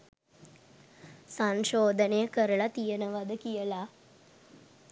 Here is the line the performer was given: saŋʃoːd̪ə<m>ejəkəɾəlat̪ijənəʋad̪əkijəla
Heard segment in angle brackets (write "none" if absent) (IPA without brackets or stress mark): n